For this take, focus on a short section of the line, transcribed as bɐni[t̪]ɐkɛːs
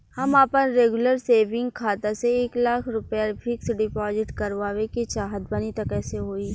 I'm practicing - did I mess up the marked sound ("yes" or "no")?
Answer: no